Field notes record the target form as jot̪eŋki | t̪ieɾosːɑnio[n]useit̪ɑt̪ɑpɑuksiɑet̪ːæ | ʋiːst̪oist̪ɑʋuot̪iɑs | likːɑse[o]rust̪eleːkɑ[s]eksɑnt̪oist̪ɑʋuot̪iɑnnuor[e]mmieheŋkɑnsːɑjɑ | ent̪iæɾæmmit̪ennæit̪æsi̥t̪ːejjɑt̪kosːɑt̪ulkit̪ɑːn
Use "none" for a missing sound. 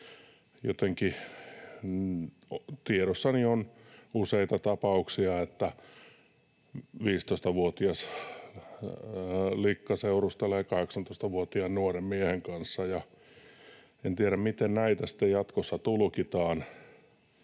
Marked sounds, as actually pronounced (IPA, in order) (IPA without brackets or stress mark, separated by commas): n, u, h, e